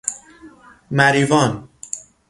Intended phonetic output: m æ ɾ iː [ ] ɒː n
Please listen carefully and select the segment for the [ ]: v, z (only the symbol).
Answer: v